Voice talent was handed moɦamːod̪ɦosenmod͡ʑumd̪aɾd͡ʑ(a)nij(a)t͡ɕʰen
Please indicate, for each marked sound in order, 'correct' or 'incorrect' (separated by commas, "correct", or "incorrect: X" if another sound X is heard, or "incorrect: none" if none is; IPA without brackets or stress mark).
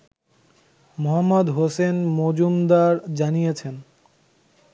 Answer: correct, incorrect: e